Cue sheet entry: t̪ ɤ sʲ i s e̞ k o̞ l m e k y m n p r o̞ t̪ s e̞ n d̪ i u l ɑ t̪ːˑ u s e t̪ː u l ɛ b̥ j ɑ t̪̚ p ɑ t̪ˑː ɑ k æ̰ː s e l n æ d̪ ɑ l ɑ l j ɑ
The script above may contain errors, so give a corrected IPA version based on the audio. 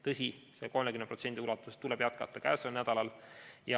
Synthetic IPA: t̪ ɤ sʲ i s e̞ k o̞ l m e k y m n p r o̞ t̪ s e̞ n d̪ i u l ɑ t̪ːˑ u s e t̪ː u l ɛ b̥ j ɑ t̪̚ k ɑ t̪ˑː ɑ k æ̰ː s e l n æ d̪ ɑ l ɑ l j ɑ

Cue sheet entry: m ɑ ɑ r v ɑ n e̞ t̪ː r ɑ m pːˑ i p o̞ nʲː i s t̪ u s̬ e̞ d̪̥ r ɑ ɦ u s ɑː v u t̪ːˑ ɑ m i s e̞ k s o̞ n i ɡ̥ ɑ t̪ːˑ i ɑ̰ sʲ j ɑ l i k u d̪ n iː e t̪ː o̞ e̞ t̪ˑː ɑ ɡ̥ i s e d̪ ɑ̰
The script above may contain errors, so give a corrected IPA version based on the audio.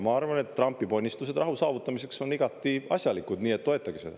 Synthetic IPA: m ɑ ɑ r v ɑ n e̞ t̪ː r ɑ m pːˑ i p o̞ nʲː i s t̪ u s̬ e̞ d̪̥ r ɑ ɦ u s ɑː v u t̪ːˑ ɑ m i s e̞ k s o̞ n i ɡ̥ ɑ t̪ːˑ i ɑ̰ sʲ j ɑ l i k u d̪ n iː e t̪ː o̞ e̞ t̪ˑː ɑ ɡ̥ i s e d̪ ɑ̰

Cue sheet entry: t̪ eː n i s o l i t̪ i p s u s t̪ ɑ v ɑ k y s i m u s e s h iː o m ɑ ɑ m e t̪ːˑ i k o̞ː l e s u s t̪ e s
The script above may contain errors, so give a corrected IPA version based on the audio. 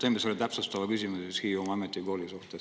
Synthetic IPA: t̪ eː m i s o l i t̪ æ p s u s t̪ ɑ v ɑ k y s i m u s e s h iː o m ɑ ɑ m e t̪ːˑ i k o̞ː l i s u h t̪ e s

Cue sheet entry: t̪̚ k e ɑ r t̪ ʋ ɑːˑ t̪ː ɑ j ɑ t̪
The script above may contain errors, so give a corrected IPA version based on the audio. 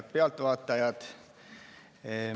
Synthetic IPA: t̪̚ p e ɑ l t̪ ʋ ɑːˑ t̪ː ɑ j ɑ t̪

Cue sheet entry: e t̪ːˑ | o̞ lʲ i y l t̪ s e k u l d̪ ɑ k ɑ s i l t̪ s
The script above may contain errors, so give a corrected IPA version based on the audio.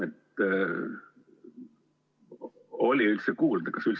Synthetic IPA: e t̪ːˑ | o̞ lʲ i y l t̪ s e k uː l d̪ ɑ k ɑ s y l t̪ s

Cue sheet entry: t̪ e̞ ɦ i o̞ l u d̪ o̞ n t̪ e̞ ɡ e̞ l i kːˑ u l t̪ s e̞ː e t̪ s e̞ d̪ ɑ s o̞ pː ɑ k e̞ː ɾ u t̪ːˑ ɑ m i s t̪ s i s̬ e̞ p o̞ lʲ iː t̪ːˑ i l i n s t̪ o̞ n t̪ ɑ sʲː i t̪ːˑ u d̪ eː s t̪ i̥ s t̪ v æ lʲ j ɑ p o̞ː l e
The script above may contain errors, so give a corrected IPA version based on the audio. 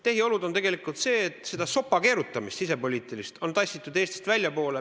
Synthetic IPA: t̪ e̞ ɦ i o̞ l u d̪ o̞ n t̪ e̞ ɡ e̞ l i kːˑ u l t̪ s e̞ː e t̪ s e̞ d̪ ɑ s o̞ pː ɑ k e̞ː ɾ u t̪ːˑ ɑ m i s t̪ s i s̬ e̞ p o̞ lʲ iː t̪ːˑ i l i s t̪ o̞ n t̪ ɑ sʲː i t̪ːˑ u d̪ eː s t̪ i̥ s t̪ v æ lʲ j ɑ p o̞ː l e

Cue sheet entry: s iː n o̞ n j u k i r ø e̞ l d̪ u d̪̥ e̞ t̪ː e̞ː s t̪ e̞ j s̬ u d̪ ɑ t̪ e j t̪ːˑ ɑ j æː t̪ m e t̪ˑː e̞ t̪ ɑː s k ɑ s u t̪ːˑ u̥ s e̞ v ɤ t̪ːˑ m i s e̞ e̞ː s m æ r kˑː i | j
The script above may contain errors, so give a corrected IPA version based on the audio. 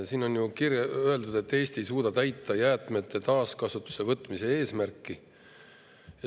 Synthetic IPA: s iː n o̞ n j u k i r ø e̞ l d̪ u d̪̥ e̞ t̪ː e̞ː s t̪ e̞ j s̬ uː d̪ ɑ t̪ æ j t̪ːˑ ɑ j æː t̪ m e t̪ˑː e̞ t̪ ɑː s k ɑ s u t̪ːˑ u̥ s e̞ v ɤ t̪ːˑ m i s e̞ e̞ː s m æ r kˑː i | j

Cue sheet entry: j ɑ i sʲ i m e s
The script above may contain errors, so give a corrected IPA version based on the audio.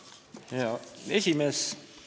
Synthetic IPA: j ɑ e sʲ i m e s

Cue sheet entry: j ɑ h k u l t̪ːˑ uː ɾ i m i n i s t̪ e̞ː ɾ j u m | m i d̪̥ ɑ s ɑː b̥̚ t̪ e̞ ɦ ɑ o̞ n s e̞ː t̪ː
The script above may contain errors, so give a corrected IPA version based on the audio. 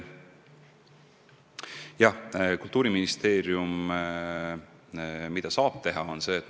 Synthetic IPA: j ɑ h k u l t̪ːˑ uː ɾ i m i n i s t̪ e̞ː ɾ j u m | m i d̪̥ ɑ s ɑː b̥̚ t̪ e̞ ɦ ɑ o̞ n s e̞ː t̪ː

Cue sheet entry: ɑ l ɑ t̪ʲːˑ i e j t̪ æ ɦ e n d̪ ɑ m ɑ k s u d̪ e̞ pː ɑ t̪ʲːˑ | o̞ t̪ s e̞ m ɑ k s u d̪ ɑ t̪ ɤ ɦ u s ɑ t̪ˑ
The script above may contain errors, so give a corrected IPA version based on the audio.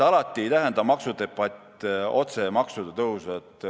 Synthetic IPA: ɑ l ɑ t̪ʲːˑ i e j t̪ æ ɦ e n d̪ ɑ m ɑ k s u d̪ e̞ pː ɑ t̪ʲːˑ | o̞ t̪ s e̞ m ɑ k s u d̪ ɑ t̪ ɤ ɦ u s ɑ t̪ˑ

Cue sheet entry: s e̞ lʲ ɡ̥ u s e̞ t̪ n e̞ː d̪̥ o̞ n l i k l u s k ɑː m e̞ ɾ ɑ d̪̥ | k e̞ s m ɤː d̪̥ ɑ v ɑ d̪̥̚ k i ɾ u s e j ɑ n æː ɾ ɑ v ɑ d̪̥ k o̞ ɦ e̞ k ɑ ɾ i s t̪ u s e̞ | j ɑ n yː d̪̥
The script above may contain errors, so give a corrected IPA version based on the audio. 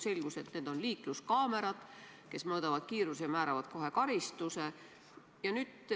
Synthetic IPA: s e̞ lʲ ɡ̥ u s e̞ t̪ n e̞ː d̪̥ o̞ n l iː k l u s k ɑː m e̞ ɾ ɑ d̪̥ | k e̞ s m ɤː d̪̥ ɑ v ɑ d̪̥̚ k iː ɾ u s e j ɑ m æː ɾ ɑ v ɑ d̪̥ k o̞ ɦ e̞ k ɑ ɾ i s t̪ u s e̞ | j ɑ n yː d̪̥

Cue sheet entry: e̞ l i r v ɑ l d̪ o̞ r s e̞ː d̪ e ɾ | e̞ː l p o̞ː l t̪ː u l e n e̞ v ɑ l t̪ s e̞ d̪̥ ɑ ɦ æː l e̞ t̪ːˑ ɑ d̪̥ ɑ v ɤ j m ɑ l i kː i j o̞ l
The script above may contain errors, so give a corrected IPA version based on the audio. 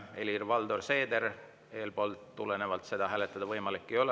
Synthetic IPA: e̞ l i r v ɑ l d̪ o̞ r s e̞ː d̪ e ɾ | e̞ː l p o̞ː l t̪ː u l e n e̞ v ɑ l t̪ s e̞ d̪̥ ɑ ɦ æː l e̞ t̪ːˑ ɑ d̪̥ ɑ v ɤ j m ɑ l i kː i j o̞ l

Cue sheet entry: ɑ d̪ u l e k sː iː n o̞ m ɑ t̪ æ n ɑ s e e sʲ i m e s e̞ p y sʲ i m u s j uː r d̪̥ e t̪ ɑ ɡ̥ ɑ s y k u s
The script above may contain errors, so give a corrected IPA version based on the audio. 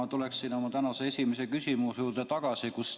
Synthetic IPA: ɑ t̪ u l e k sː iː n o̞ m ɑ t̪ æ n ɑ s e e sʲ i m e s e̞ k y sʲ i m u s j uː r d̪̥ e t̪ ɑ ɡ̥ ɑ s i k u s

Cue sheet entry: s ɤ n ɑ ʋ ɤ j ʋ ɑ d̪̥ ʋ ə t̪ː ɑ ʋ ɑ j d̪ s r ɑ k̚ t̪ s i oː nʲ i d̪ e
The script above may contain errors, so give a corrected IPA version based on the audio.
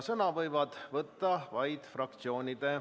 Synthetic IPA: s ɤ n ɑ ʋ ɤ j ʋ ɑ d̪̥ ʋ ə t̪ː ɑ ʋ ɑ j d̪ f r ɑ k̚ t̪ s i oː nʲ i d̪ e

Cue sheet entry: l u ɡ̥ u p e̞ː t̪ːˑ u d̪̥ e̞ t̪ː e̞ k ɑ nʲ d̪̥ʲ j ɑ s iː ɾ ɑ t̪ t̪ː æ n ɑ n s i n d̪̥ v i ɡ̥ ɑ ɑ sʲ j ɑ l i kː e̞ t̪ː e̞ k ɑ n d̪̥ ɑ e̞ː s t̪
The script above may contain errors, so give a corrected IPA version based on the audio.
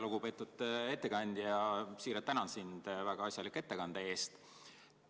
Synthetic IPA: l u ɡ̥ u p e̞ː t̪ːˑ u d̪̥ e̞ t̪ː e̞ k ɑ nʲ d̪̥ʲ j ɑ s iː ɾ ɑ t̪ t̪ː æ n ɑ n s i n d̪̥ v æ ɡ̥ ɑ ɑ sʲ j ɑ l i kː e̞ t̪ː e̞ k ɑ n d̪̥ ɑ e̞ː s t̪

